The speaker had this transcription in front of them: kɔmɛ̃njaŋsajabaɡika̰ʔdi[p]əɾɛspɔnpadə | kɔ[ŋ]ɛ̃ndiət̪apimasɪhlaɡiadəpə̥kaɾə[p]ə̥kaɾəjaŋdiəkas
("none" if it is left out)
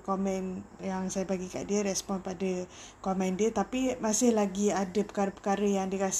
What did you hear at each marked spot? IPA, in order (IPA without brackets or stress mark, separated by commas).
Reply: none, m, p